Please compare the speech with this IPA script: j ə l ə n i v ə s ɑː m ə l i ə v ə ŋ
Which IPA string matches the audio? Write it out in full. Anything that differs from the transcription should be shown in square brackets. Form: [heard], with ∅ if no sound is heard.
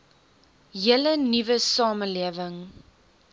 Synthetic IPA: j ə l ə n i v ə s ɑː m ə l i ə v ə ŋ